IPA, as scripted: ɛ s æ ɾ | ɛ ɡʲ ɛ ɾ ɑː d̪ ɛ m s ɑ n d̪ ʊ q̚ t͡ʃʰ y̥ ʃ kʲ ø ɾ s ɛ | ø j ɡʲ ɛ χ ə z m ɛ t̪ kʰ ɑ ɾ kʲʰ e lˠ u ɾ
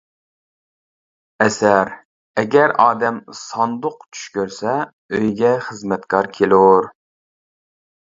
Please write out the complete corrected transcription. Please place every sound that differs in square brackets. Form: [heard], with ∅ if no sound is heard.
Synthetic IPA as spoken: ɛ s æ ɾ | ɛ ɡʲ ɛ ɾ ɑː d̪ ɛ m s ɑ n d̪ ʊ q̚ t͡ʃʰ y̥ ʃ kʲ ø ɾ s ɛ | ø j ɡʲ ɛ χ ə z m ɛ t̪ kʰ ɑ ɾ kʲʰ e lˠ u ɾ